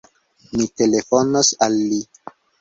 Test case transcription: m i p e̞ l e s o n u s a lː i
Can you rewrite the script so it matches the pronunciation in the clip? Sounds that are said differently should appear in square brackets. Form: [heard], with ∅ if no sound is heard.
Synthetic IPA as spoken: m i [t] e̞ l e [f] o n [o] s a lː i